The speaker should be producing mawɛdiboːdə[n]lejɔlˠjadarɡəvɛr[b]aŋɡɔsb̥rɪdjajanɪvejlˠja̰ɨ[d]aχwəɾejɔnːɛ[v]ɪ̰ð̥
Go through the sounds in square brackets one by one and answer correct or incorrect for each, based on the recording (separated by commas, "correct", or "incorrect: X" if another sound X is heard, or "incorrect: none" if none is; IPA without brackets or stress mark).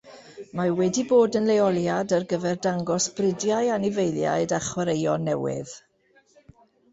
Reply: correct, incorrect: d, correct, incorrect: w